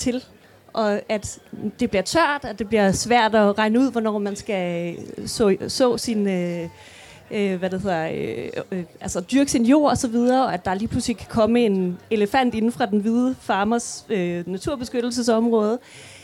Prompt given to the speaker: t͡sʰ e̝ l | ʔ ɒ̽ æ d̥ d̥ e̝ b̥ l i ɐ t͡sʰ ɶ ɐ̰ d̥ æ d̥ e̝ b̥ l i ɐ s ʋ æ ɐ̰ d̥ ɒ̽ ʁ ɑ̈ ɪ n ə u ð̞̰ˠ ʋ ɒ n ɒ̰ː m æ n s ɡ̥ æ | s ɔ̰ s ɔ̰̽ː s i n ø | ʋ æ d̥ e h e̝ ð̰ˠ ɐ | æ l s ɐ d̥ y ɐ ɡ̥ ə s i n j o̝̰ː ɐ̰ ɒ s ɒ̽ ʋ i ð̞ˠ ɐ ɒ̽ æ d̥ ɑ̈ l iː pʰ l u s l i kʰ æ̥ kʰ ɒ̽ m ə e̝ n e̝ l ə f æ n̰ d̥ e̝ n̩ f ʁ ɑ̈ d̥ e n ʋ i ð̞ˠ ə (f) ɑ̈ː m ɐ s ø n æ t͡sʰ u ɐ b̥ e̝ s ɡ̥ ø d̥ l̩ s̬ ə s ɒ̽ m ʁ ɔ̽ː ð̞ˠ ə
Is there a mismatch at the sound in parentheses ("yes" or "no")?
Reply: no